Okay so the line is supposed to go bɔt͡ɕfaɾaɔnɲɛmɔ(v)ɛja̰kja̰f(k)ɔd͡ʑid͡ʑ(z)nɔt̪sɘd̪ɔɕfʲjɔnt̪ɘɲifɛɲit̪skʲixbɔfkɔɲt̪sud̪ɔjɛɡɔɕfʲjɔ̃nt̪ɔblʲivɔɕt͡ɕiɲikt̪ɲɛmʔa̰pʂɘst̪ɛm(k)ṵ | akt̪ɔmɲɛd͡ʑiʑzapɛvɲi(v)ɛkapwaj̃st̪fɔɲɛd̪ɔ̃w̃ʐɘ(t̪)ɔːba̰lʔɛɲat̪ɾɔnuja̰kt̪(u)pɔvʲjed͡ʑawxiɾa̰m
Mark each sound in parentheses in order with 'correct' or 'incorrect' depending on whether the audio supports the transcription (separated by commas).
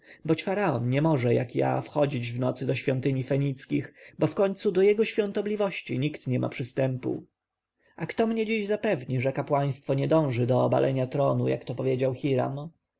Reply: incorrect, incorrect, incorrect, incorrect, incorrect, incorrect, incorrect